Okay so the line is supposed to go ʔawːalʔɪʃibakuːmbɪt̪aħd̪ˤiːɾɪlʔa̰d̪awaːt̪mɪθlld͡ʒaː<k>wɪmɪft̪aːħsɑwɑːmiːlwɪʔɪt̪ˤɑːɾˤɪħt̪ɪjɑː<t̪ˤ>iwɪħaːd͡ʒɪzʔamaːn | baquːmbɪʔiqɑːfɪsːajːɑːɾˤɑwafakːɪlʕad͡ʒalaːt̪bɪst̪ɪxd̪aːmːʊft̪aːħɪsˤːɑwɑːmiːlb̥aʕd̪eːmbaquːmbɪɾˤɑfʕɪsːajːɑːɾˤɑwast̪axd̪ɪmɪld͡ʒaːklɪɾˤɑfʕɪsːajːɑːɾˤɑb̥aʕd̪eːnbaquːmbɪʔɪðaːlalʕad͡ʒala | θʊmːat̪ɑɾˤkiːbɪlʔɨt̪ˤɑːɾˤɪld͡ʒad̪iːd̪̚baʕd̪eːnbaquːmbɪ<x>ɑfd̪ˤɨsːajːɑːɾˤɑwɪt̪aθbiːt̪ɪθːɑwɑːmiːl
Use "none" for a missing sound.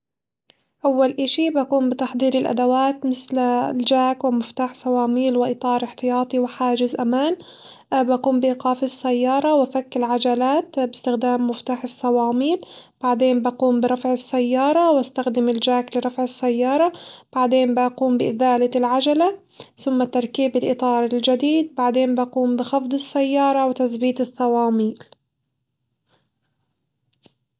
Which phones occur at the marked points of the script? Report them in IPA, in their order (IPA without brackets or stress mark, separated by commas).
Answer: k, t̪ˤ, x